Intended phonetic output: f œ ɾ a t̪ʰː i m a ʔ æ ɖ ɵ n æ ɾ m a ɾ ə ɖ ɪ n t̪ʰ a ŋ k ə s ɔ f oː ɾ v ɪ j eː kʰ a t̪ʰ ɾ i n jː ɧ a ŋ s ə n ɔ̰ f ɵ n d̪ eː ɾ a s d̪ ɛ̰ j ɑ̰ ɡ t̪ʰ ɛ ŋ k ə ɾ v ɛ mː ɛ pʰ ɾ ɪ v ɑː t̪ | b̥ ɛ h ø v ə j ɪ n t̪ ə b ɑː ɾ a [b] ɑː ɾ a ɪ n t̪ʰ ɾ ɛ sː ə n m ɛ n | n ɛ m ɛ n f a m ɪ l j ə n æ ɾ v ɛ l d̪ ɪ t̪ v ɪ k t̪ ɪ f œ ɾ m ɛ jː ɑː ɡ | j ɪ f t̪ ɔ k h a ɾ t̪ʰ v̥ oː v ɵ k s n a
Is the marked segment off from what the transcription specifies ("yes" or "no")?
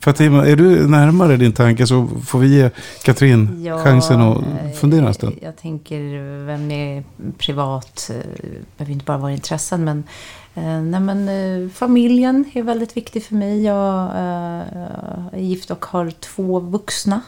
yes